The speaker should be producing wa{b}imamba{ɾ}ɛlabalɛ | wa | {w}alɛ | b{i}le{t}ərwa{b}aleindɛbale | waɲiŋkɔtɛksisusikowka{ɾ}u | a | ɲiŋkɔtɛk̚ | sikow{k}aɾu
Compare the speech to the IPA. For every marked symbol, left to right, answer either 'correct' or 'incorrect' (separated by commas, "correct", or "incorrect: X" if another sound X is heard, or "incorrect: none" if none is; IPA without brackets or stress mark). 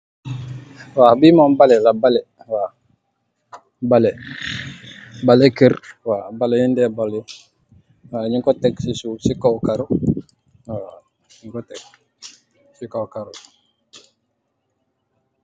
correct, incorrect: l, incorrect: b, incorrect: a, incorrect: k, correct, correct, correct